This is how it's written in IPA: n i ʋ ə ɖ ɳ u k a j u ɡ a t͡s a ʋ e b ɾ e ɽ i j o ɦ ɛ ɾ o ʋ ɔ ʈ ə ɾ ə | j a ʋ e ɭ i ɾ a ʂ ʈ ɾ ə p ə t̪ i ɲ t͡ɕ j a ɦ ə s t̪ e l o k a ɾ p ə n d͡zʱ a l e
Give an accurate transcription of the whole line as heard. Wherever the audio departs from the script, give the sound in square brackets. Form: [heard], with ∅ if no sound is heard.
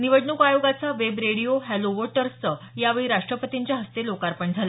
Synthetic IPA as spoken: n i ʋ ə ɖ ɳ u k a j [o] ɡ a t͡s a ʋ e b ɾ e ɽ i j o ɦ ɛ [l] o ʋ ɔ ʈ ə ɾ ə | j a ʋ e ɭ i ɾ a ʂ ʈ ɾ ə p ə t̪ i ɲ t͡ɕ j a ɦ ə s t̪ e l o k a ɾ p ə [ɳ] d͡zʱ a l [a]